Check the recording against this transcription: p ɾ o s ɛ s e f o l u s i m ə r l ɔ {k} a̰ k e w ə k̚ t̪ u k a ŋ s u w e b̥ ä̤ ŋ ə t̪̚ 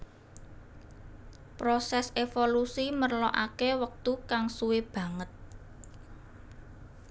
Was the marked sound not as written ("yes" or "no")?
yes